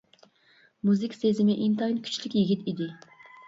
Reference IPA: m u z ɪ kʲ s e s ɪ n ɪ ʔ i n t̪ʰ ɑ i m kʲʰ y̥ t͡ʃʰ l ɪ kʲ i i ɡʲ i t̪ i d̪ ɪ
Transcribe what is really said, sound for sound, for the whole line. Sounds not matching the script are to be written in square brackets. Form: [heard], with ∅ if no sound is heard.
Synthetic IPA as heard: m u z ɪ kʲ s e [z] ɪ [m] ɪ ʔ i n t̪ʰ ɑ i [n] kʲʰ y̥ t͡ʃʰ l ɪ kʲ [j] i ɡʲ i t̪ i d̪ ɪ